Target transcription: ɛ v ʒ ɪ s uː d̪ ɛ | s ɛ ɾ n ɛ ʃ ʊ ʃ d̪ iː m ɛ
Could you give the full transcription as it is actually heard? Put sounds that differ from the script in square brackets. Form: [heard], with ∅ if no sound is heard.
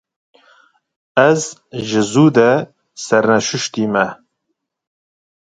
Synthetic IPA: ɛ [z] ʒ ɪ [z] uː d̪ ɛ | s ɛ ɾ n ɛ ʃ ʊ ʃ [t̪] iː m ɛ

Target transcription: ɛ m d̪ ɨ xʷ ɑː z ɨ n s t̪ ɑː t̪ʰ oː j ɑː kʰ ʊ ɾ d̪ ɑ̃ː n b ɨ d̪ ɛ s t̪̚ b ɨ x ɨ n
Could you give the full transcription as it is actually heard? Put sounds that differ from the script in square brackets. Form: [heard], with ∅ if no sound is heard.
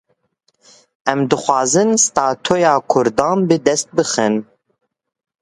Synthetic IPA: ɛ m d̪ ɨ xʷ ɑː z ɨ n s t̪ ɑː t̪ʰ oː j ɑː kʰ ʊ ɾ d̪ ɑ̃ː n b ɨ d̪ ɛ s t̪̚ b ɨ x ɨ n

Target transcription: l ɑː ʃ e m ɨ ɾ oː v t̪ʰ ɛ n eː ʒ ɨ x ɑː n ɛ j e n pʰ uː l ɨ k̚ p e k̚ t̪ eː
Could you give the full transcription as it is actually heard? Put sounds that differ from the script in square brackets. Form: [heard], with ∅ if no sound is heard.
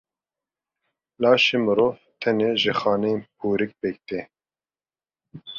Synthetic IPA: l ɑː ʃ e m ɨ ɾ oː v t̪ʰ ɛ n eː ʒ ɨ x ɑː n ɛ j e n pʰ uː [ɾ] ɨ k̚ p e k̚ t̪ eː

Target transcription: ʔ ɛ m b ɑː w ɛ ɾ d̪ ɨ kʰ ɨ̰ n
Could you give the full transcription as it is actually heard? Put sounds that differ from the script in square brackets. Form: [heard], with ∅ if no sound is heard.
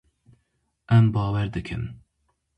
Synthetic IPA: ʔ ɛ m b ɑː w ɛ ɾ d̪ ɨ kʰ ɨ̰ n

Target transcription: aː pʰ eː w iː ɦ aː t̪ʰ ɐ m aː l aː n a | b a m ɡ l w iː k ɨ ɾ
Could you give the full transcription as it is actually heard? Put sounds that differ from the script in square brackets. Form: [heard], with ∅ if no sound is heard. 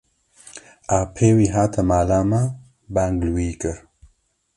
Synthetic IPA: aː pʰ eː w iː ɦ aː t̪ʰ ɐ m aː l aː [m] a | b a [ŋ] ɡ l w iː k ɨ ɾ

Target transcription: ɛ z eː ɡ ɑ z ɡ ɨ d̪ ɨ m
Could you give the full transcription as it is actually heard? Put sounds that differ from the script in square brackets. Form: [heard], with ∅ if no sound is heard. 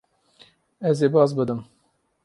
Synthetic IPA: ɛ z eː [b] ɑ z [b] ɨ d̪ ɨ m

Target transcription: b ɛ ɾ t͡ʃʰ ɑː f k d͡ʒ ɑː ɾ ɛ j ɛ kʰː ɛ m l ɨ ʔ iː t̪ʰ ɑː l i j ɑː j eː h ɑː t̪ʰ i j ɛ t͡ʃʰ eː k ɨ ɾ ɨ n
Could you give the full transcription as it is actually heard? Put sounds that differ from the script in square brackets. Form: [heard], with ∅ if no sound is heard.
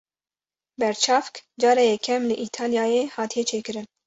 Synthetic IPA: b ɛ ɾ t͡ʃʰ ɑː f k d͡ʒ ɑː ɾ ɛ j ɛ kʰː ɛ m l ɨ ʔ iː t̪ʰ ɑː l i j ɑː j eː h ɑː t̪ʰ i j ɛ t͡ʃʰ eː k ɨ ɾ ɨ n

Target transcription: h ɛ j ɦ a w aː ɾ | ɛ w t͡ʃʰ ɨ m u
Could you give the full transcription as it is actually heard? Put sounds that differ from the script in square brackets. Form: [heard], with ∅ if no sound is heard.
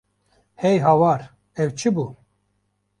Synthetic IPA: h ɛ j ɦ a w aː ɾ | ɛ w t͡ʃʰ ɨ [b] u

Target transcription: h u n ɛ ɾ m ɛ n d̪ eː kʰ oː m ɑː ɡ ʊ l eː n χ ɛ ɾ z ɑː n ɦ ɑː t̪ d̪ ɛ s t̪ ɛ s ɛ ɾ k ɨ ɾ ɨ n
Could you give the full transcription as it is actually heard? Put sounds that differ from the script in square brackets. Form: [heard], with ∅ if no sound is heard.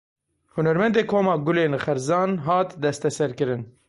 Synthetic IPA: h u n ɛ ɾ m ɛ n d̪ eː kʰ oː m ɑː ɡ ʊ l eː n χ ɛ ɾ z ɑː n ɦ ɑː t̪ d̪ ɛ s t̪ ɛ s ɛ ɾ k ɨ ɾ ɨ n

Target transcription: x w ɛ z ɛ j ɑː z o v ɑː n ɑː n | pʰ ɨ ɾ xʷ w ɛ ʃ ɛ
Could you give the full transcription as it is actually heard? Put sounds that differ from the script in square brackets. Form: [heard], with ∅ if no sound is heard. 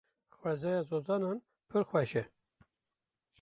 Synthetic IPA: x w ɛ z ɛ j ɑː z o [z] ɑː n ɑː n | pʰ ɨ ɾ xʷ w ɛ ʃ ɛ

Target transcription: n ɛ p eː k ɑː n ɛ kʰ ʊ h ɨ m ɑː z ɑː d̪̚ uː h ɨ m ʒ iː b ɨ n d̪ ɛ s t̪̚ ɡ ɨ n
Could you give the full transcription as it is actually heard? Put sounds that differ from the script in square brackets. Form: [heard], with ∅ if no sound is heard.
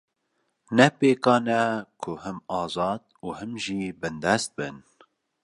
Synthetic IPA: n ɛ p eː k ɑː n ɛ kʰ ʊ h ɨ m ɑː z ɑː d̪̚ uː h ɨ m ʒ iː b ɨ n d̪ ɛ s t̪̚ [b] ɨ n

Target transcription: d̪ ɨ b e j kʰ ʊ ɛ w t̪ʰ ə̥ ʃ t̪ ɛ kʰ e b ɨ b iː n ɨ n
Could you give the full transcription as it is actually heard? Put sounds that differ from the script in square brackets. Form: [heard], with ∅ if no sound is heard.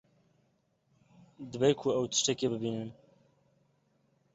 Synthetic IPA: d̪ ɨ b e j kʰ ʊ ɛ w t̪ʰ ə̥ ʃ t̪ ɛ [k] e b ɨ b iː n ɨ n

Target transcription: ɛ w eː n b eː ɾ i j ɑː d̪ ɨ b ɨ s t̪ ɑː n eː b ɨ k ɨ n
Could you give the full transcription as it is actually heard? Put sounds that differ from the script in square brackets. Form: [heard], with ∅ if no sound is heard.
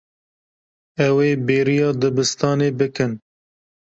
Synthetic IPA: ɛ w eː [∅] b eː ɾ i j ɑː d̪ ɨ b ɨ s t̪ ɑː n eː b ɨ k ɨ n

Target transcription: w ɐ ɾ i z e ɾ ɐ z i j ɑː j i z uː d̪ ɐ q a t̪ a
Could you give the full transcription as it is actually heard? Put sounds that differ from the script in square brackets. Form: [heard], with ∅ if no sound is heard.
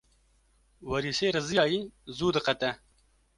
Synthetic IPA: w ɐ ɾ i [s] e ɾ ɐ z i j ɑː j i z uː d̪ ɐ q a t̪ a

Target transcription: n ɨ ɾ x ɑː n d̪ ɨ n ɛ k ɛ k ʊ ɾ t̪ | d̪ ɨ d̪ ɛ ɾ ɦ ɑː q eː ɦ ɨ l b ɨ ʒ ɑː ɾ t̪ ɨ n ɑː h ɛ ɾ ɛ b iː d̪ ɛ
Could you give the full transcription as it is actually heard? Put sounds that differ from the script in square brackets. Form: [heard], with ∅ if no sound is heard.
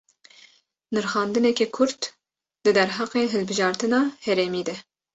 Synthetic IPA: n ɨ ɾ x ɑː n d̪ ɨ n ɛ k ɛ [kʰ] ʊ ɾ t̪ | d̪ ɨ d̪ ɛ ɾ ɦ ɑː q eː ɦ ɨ l b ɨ ʒ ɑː ɾ t̪ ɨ n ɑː h ɛ ɾ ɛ [m] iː d̪ ɛ

